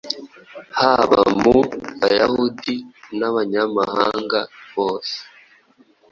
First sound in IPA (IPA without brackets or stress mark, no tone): h